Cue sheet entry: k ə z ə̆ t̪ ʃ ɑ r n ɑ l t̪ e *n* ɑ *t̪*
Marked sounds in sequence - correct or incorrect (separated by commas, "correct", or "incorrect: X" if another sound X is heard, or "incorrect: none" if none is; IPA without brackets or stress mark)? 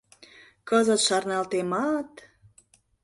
incorrect: m, correct